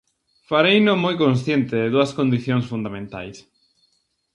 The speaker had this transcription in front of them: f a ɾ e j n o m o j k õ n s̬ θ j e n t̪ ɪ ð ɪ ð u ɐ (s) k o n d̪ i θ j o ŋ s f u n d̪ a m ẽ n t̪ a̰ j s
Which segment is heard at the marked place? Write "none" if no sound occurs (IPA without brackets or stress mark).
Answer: s